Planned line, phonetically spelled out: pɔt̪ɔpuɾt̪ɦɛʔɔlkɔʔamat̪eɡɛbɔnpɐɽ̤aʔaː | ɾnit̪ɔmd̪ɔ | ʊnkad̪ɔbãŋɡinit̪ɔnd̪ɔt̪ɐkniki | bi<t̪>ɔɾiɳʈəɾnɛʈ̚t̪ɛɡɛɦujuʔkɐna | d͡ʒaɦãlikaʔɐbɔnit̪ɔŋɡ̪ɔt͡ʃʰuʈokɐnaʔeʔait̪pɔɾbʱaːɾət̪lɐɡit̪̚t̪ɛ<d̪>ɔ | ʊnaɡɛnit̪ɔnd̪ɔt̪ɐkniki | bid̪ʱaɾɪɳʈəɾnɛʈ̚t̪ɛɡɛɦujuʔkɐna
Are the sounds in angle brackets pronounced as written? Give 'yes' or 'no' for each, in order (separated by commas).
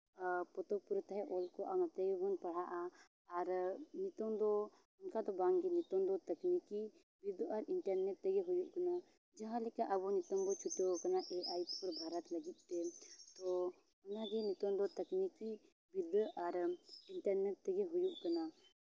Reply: no, no